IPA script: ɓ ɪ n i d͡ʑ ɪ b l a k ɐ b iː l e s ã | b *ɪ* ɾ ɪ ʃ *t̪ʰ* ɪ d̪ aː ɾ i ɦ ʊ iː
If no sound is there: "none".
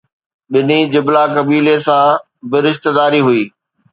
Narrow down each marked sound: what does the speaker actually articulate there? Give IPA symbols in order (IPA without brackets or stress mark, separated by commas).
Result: ɪ, t̪